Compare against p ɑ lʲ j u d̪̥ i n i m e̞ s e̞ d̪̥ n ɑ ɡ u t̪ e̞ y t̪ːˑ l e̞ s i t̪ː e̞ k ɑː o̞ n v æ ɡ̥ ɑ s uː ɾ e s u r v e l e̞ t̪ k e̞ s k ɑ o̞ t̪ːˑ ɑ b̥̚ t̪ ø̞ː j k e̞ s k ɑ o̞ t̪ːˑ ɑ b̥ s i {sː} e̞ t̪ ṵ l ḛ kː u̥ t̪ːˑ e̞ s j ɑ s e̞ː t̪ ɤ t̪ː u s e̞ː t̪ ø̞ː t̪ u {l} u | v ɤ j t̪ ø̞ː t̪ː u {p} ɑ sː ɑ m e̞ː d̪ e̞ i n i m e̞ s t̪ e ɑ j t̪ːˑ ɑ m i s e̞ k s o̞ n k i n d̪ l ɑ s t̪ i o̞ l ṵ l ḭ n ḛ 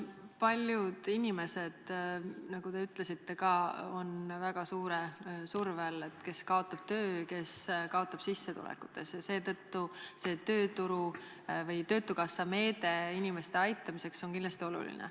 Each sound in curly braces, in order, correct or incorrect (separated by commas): correct, incorrect, incorrect